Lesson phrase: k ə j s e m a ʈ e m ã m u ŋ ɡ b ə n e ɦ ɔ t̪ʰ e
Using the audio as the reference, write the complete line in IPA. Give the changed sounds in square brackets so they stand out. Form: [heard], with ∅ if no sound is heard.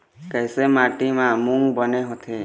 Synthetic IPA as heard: k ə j s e m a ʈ [i] m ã m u ŋ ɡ b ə n e ɦ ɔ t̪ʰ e